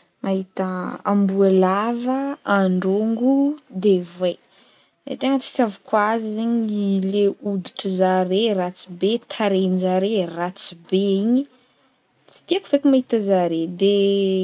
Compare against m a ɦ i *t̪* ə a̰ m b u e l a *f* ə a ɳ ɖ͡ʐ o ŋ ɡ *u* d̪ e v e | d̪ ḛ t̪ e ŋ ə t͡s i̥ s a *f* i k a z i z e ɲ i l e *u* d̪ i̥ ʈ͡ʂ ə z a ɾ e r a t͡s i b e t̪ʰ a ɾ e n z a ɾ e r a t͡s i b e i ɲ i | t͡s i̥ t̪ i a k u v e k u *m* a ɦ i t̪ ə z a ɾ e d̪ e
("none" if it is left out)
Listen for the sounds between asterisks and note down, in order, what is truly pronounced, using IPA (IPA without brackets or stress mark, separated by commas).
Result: t̪, v, u, v, u, m